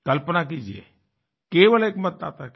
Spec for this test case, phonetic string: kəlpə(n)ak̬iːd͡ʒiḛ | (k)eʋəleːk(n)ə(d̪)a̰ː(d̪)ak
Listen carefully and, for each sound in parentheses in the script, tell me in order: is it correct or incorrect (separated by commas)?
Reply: correct, correct, incorrect, incorrect, incorrect